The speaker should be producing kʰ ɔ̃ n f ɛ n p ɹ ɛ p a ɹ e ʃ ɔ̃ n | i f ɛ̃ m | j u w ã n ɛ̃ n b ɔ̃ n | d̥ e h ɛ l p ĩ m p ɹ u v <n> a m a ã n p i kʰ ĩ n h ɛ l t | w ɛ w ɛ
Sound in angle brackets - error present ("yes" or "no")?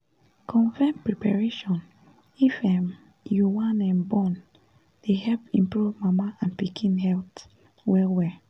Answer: yes